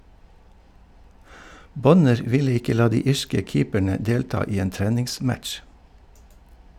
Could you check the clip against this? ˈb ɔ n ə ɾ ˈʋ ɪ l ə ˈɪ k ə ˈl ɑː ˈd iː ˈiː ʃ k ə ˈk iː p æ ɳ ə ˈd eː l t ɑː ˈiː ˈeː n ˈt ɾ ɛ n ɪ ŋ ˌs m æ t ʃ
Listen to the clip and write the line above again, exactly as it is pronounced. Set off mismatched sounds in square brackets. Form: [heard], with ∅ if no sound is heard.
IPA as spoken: ˈb ɔ n ə ɾ ˈʋ ɪ l ə ˈɪ k ə ˈl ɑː ˈd iː ˈiː ʃ k ə ˈk iː p æ ɳ ə ˈd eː l t ɑː ˈiː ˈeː n ˈt ɾ ɛ n ɪ ŋ ˌs m æ t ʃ